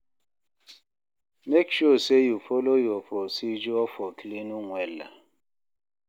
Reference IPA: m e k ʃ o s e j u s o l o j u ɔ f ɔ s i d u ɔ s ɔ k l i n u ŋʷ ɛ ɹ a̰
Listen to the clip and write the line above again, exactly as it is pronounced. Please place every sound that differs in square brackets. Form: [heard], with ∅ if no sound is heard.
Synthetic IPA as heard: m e k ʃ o s e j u [f] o l o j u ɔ f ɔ s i [d͡ʒ] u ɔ [f] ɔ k l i n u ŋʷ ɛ [l] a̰